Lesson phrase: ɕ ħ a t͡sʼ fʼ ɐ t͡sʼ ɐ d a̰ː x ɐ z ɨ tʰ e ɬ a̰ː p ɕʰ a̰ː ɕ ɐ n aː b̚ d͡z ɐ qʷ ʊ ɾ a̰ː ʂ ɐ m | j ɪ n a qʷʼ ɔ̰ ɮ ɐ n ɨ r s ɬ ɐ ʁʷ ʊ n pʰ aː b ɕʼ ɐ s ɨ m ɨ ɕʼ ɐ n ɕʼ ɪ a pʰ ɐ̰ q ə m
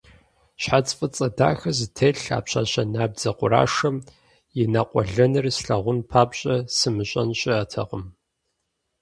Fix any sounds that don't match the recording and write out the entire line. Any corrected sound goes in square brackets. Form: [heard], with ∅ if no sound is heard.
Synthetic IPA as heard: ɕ ħ a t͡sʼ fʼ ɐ t͡sʼ ɐ d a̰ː x ɐ z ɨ tʰ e ɬ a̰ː p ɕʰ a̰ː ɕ ɐ n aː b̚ d͡z ɐ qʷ ʊ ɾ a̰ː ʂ ɐ m | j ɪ n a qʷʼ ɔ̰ ɮ ɐ n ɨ r s ɬ ɐ ʁʷ ʊ n pʰ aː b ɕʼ ɐ s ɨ m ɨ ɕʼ ɐ n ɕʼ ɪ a [tʰ] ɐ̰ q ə m